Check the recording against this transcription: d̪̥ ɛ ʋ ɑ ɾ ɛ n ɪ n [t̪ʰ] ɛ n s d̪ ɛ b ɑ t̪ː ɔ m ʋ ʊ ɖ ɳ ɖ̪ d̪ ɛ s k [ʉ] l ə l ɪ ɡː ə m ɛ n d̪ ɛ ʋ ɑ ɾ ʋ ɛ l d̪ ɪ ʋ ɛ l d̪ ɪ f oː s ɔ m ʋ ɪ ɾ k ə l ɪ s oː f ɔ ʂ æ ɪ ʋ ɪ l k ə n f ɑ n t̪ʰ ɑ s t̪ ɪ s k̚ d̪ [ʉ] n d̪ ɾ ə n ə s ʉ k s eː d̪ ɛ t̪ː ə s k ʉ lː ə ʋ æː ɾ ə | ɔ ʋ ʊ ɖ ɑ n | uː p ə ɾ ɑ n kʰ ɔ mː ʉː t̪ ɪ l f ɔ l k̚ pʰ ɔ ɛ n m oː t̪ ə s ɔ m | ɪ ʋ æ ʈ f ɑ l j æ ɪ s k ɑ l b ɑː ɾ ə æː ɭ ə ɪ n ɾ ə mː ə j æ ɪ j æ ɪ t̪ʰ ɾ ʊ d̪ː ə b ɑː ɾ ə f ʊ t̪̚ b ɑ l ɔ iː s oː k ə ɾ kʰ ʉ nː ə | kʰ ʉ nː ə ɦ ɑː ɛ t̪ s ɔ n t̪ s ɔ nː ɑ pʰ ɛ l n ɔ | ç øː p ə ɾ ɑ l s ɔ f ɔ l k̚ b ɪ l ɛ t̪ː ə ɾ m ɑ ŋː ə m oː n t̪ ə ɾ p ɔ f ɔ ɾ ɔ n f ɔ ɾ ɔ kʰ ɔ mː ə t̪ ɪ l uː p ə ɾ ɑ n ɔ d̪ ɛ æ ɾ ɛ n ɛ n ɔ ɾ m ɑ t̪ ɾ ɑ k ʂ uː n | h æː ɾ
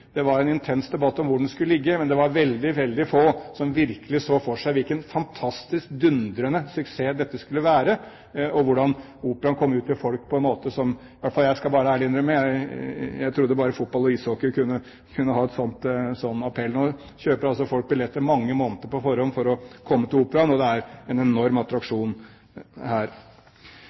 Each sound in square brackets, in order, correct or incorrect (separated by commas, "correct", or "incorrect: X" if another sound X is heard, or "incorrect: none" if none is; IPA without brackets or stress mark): correct, correct, correct